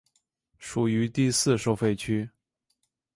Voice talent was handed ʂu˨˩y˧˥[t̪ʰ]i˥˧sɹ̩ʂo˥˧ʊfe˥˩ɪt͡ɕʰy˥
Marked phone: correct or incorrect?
incorrect: t̪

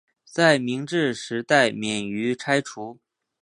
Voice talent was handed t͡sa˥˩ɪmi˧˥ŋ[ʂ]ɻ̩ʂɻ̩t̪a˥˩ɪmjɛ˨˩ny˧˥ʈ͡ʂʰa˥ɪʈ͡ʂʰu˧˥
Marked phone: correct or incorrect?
incorrect: ʈ͡ʂ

